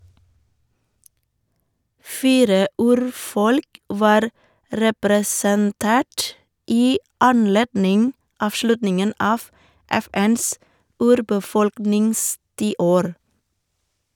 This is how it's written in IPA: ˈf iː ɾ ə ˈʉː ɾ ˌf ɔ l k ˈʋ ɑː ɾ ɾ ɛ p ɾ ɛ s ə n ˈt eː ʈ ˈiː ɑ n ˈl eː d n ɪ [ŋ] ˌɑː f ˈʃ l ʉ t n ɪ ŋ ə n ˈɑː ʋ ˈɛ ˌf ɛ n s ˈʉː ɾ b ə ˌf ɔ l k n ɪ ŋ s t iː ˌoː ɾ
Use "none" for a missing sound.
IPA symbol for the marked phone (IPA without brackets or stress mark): ŋ